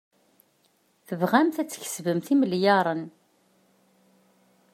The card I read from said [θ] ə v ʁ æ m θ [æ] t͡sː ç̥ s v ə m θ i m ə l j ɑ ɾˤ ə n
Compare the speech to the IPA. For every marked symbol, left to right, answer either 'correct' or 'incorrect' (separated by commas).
correct, correct